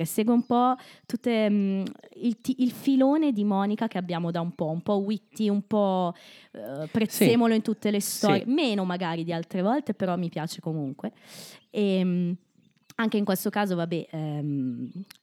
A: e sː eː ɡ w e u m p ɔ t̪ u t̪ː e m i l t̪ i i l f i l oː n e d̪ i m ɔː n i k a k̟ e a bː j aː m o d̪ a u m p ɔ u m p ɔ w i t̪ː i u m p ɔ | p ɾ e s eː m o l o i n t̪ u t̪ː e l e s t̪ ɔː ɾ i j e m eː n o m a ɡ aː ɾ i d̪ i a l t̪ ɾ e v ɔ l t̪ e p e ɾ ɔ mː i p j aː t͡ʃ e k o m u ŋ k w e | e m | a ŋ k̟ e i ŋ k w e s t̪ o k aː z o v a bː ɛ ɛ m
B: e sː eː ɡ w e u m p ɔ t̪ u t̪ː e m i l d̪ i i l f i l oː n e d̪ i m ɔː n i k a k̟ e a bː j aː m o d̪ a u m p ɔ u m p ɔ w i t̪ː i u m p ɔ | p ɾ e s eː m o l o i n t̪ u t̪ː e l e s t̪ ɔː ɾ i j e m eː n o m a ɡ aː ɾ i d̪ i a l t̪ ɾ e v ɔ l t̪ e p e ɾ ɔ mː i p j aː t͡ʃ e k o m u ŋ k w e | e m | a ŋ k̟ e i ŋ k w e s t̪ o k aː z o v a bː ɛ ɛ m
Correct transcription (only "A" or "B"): A